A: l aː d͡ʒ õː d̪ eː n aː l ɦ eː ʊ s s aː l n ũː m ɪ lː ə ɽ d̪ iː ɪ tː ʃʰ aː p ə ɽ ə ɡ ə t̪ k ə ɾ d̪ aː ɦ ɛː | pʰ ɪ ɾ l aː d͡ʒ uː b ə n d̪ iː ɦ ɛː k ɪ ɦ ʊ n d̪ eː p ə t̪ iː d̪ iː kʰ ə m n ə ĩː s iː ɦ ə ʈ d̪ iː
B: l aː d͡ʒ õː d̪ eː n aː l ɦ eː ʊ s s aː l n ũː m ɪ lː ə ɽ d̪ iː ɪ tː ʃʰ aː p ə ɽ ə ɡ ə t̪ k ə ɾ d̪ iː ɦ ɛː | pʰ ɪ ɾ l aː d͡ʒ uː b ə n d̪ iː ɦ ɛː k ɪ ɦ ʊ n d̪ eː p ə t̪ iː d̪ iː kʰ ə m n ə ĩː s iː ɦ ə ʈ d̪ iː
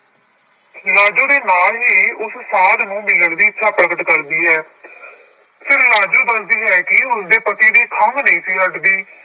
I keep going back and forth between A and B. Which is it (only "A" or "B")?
B